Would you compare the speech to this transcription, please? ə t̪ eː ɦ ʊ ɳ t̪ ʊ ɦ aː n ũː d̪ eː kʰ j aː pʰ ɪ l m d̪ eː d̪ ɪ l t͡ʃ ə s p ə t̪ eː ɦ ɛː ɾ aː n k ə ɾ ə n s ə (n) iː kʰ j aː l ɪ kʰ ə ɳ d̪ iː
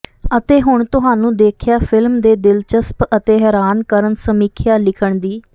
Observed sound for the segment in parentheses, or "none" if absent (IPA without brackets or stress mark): m